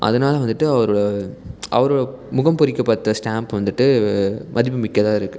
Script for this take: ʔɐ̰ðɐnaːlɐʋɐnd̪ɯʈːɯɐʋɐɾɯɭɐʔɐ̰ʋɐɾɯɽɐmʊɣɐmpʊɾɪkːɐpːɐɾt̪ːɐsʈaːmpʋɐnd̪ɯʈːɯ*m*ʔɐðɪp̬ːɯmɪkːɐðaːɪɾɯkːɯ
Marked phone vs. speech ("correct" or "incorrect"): correct